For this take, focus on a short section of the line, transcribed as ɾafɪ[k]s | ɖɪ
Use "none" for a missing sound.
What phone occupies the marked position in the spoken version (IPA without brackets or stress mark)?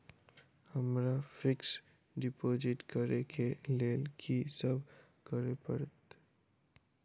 k